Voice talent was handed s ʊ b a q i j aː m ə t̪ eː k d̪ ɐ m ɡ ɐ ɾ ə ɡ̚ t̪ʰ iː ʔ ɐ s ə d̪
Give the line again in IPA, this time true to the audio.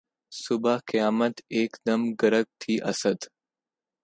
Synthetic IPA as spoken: s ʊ b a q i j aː m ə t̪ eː k d̪ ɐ m ɡ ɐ ɾ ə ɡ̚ t̪ʰ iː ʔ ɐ s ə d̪